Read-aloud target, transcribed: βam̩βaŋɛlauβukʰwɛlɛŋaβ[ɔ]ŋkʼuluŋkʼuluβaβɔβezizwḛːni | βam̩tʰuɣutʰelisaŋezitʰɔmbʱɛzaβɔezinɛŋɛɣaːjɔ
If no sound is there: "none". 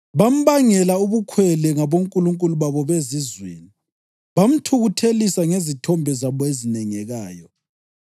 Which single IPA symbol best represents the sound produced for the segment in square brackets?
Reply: o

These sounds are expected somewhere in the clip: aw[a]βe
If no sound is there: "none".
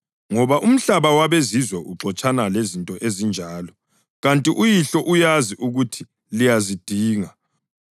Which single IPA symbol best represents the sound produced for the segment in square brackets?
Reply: a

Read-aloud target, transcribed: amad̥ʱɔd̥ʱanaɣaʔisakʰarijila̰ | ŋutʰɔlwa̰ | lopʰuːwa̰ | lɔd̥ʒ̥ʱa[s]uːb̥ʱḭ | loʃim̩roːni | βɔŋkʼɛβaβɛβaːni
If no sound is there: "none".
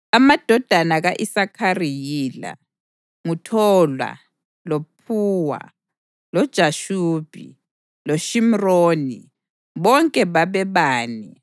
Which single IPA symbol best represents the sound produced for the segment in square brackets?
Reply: ʃ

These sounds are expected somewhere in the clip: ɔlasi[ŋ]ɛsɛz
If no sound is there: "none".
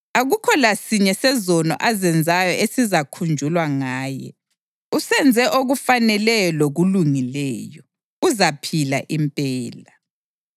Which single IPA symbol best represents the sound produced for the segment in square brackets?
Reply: ɲ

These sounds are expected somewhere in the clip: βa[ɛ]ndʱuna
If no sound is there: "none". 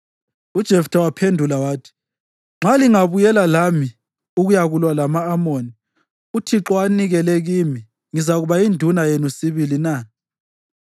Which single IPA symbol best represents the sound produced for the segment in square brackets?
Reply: i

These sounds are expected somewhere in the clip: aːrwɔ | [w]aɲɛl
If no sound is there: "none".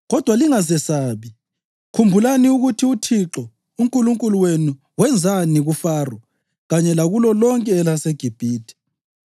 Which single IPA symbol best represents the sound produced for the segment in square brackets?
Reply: ɣ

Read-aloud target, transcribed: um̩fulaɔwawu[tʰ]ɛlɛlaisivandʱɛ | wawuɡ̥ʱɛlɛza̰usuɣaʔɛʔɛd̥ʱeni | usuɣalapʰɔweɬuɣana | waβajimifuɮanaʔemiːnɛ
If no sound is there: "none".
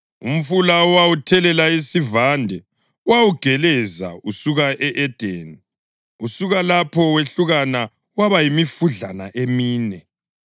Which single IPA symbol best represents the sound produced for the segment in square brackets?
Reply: tʰ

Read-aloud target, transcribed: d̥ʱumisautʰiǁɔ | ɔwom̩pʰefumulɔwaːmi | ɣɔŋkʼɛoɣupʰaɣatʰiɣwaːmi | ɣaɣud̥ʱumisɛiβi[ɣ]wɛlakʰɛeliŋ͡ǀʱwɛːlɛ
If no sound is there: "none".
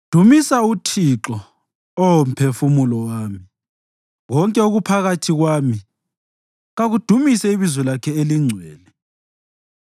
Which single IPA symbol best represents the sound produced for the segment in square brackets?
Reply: z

